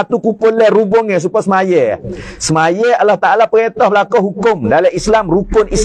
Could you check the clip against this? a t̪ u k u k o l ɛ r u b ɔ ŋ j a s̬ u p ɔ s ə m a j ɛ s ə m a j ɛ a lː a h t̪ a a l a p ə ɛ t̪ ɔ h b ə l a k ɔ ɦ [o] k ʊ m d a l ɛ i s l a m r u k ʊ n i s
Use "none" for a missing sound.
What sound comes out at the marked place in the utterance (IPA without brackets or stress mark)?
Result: u